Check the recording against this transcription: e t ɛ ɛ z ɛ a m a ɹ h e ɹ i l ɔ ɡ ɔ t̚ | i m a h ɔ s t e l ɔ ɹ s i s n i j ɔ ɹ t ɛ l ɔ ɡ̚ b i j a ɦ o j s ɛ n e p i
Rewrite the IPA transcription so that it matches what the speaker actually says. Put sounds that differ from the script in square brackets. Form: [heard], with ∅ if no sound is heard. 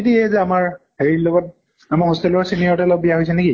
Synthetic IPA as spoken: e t [i] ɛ z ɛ a m a ɹ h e ɹ i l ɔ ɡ ɔ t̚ | [a] m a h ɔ s t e l ɔ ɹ s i [∅] n i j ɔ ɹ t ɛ l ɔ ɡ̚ b i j a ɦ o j s ɛ n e [k] i